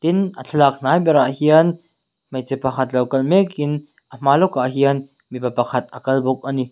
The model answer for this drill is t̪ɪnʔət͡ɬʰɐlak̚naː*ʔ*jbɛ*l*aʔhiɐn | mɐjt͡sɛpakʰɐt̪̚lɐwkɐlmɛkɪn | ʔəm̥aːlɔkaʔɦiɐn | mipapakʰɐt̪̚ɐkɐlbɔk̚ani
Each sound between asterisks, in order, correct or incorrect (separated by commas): incorrect, incorrect